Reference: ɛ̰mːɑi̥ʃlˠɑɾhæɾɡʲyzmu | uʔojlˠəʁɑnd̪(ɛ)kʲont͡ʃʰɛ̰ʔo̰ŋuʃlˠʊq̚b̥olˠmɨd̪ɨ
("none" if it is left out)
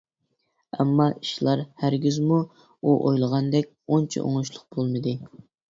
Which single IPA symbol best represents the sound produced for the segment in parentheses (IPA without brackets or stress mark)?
ɛ